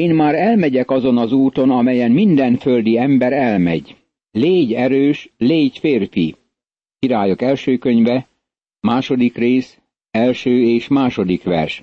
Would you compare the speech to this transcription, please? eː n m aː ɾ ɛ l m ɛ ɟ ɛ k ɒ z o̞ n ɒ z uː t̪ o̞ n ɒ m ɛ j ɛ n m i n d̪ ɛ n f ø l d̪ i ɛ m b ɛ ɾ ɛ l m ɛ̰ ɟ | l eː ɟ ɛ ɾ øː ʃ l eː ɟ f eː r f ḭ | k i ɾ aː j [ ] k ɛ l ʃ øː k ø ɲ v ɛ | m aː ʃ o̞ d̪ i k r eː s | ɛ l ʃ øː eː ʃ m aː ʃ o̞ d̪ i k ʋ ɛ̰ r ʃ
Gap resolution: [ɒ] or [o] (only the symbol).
o